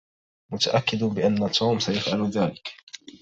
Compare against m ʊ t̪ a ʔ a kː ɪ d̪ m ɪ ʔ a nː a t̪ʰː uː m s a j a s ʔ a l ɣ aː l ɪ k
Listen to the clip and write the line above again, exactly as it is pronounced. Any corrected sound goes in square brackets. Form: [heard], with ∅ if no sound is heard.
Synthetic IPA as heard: m ʊ t̪ a ʔ a kː ɪ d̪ [b] ɪ ʔ a nː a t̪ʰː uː m s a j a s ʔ a l [ð] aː l ɪ k